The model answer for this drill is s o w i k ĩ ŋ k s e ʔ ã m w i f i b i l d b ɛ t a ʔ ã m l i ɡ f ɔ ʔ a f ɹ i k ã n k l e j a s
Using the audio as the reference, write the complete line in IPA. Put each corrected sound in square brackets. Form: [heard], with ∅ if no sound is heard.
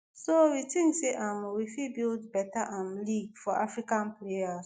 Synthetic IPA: s o w i [t] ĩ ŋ k s e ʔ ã m w i f i b i l d b ɛ t a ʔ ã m l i ɡ f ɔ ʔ a f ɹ i k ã n [p] l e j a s